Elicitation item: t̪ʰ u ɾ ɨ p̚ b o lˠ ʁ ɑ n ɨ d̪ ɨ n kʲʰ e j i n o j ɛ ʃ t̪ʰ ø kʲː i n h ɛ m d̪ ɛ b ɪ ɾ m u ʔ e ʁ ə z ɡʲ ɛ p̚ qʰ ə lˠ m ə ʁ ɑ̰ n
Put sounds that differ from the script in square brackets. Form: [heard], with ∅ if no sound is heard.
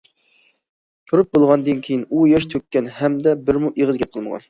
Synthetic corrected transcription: t̪ʰ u ɾ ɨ p̚ b o lˠ ʁ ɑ n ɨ d̪ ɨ n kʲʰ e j i n [u] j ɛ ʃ t̪ʰ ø kʲː [ɛ] n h ɛ m d̪ ɛ b ɪ ɾ m u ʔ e ʁ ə z ɡʲ ɛ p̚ qʰ ə lˠ m ə ʁ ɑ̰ n